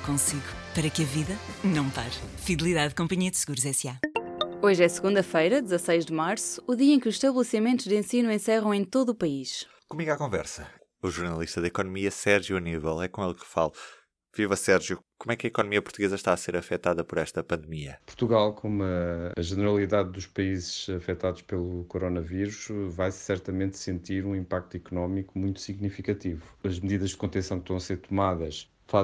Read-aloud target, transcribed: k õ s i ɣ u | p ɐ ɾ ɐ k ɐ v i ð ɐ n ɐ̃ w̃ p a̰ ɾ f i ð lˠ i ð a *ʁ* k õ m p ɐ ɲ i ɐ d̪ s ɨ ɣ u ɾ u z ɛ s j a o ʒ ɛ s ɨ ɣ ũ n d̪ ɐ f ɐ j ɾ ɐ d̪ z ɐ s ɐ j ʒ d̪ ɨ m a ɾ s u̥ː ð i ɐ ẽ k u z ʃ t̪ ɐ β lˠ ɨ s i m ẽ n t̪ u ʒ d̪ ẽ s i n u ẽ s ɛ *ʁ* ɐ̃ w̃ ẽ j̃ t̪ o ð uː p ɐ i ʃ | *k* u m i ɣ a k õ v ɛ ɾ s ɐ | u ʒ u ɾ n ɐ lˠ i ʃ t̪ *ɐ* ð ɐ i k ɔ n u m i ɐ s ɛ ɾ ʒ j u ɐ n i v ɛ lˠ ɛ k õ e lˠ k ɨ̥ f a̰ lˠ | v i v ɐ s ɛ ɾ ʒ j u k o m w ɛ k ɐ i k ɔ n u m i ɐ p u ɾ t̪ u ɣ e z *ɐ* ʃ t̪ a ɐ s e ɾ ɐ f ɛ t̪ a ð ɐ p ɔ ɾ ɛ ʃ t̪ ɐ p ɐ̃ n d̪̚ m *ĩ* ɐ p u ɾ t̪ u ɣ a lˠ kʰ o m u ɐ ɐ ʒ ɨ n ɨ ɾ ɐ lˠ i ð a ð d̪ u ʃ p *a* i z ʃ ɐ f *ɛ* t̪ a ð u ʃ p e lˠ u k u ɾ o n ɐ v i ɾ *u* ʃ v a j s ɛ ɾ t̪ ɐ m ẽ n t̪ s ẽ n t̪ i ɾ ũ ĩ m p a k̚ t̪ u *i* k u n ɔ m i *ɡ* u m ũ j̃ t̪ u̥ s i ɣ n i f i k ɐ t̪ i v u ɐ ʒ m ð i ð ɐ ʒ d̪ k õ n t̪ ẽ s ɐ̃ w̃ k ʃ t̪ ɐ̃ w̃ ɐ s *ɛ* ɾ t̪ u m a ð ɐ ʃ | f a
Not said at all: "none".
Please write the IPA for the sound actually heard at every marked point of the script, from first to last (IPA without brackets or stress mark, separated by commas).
ð, ʁ, k, ɐ, ɐ, i, ɐ, ɛ, u, i, k, e